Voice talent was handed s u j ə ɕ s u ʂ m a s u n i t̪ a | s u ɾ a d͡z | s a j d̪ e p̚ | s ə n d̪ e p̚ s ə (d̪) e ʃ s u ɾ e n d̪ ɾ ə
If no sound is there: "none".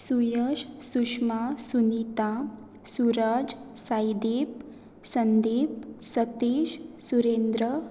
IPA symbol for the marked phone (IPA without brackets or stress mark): t̪